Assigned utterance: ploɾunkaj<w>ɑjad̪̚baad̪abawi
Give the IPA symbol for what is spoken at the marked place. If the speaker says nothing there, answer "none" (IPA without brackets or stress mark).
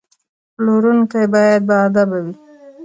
b